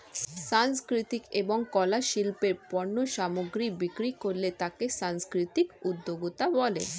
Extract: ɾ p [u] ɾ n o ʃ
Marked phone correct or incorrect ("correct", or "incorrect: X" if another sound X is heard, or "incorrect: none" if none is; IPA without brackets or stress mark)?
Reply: incorrect: ɔ